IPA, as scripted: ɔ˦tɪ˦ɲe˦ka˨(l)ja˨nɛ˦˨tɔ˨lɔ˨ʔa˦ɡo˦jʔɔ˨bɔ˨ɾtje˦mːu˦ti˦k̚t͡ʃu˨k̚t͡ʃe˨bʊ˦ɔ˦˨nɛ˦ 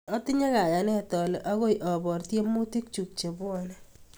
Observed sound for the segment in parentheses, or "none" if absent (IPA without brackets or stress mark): none